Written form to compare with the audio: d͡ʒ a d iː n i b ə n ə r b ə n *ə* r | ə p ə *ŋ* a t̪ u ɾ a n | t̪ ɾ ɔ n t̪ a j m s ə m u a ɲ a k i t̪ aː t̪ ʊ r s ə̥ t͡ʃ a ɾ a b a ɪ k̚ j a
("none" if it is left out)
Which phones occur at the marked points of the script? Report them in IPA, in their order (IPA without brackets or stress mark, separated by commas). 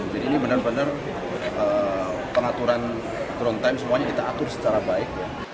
ə, ŋ